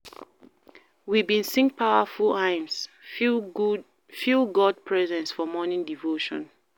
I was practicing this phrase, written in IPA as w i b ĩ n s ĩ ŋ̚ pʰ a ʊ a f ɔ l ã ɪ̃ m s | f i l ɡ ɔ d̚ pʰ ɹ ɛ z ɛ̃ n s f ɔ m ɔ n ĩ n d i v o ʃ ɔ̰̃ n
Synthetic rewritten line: w i b ĩ n s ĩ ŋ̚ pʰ a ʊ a f u l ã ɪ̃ m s | f i l ɡ ɔ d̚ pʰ ɹ ɛ z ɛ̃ n s f ɔ m ɔ n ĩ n d i v o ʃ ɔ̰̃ n